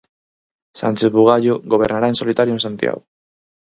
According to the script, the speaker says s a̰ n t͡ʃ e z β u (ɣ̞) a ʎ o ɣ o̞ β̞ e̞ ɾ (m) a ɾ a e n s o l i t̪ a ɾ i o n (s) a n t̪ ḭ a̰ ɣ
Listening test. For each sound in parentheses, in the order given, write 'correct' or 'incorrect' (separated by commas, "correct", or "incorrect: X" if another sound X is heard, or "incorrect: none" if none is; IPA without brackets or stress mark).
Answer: correct, incorrect: n, correct